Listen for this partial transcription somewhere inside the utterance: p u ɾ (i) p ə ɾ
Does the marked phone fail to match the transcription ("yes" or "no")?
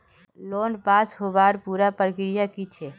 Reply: yes